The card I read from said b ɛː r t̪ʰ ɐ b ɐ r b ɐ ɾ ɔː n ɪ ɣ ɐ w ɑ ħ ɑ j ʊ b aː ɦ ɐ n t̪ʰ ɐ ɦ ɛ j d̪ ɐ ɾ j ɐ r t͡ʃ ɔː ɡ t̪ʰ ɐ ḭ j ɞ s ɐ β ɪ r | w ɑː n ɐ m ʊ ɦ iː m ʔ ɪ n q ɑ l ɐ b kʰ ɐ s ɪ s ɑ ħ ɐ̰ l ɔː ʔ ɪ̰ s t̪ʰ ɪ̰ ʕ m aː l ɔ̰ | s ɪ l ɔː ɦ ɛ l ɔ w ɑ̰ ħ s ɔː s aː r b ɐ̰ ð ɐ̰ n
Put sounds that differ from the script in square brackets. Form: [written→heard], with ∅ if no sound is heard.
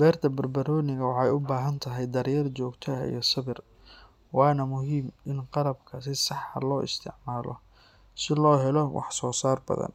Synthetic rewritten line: b ɛː r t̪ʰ ɐ b ɐ r b ɐ ɾ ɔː n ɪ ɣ ɐ w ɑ ħ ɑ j ʊ b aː ɦ ɐ n t̪ʰ ɐ ɦ ɛ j d̪ ɐ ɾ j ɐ r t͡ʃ ɔː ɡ t̪ʰ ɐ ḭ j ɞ s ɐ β ɪ r | w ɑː n ɐ m ʊ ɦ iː m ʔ ɪ n q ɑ l ɐ b kʰ ɐ s ɪ s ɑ ħ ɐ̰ l ɔː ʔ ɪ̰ s t̪ʰ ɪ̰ ʕ m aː l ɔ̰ | s ɪ l ɔː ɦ ɛ l ɔ w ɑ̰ ħ s ɔː s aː r b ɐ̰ ð ɐ̰ n